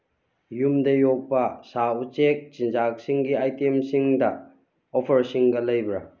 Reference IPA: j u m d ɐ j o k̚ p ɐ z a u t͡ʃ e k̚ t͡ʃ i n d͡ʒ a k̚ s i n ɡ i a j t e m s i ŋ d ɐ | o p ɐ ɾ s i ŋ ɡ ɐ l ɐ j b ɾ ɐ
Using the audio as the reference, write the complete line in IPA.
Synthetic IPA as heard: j u m d ɐ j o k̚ p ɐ s a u t͡ʃ e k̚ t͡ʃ i n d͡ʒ a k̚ s i ŋ ɡ i a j t e m s i ŋ d ɐ | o pʰ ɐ ɾ s i ŋ ɡ ɐ l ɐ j b ɾ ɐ